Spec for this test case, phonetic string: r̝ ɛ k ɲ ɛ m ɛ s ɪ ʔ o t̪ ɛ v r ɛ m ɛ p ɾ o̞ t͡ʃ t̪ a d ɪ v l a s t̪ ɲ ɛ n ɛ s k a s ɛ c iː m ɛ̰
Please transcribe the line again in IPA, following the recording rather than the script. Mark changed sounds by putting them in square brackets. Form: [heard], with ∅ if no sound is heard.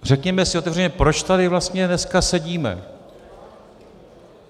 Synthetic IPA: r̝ ɛ k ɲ ɛ m ɛ s ɪ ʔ o t̪ ɛ v r ɛ [ɲ] ɛ p ɾ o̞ t͡ʃ t̪ a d ɪ v l a s t̪ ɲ ɛ n ɛ s k a s ɛ [ɟ] iː m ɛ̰